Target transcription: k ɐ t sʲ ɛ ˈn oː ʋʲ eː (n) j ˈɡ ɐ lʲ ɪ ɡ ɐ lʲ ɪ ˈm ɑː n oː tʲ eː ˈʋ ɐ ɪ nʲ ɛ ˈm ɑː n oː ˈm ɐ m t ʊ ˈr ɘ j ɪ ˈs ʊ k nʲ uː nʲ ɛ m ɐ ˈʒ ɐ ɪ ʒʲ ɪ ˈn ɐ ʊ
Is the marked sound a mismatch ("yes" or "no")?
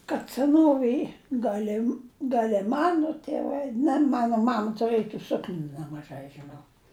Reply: yes